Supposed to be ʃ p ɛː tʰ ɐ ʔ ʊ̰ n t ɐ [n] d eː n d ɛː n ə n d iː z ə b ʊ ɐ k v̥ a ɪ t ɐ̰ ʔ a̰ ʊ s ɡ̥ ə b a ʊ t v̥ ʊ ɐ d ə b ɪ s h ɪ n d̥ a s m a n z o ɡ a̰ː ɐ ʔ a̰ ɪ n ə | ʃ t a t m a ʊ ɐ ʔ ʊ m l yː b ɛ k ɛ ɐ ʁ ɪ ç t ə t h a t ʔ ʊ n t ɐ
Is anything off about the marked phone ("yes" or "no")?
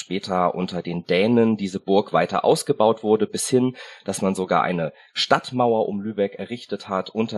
yes